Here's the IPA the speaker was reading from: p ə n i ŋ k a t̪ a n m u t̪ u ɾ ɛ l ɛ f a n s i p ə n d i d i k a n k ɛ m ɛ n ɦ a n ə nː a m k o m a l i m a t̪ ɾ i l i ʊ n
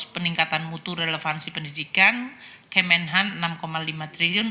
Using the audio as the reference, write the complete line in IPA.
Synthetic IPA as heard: p ə n i ŋ k a t̪ a n m u t̪ u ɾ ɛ l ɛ f a n s i p ə n d i d i k a n k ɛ m ɛ n ɦ a n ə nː a m k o m a l i m a t̪ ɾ i l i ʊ n